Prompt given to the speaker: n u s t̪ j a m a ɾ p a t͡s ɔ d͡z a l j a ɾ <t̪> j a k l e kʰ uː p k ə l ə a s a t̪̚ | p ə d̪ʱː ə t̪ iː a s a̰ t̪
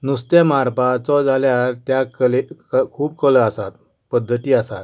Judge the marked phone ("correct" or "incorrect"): correct